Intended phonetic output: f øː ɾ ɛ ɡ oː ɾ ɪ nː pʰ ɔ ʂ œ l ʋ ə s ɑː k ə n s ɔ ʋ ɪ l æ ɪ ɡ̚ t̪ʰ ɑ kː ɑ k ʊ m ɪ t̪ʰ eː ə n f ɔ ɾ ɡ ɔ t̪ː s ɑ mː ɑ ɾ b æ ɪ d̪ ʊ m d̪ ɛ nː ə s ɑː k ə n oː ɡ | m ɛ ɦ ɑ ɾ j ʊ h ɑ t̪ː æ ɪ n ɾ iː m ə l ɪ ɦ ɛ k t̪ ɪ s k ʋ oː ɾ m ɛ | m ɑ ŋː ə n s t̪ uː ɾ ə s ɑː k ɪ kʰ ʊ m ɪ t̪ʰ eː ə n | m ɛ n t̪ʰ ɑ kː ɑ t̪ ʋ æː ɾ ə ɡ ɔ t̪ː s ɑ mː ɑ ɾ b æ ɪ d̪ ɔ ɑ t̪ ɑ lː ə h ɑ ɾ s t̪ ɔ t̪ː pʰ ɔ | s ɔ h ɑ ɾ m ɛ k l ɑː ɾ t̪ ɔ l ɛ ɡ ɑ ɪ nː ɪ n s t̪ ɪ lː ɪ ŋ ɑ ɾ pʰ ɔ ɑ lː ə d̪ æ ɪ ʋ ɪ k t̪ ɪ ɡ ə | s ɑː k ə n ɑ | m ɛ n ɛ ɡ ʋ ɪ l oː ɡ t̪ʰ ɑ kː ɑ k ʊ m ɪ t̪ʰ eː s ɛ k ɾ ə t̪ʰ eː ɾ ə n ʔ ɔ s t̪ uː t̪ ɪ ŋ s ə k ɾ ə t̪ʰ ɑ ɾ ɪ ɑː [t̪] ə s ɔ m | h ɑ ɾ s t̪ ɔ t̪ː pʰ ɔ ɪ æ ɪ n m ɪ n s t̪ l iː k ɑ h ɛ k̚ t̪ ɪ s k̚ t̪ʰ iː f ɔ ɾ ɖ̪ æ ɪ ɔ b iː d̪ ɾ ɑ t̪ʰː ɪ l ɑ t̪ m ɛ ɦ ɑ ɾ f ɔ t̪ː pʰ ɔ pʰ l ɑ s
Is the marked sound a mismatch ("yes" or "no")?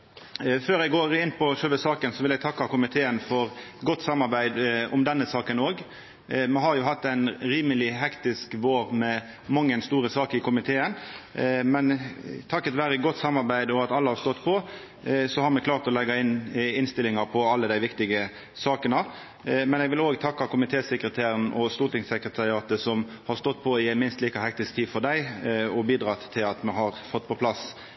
no